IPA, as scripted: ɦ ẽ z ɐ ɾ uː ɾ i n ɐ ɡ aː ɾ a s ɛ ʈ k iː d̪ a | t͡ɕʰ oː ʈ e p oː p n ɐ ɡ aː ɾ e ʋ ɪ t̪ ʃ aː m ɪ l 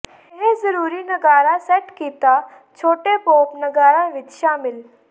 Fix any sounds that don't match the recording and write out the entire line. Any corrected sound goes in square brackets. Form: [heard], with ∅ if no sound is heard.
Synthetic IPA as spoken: ɦ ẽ z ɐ ɾ uː ɾ i n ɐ ɡ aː ɾ a s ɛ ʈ k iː [t̪] a | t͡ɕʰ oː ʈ e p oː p n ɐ ɡ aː ɾ [a] ʋ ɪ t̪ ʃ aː m ɪ l